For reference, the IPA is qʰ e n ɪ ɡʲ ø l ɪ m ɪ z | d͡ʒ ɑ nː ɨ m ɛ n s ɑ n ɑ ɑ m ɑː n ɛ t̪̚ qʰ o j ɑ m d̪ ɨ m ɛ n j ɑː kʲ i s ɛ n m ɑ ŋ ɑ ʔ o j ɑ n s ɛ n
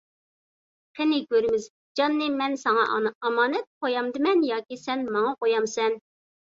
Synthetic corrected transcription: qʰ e n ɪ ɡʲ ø ɾ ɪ m ɪ z | d͡ʒ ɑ nː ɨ m ɛ n s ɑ ŋ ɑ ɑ m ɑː n ɛ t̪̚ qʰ o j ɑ m d̪ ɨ m ɛ n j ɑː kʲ i s ɛ n m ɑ ŋ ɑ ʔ o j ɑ m s ɛ n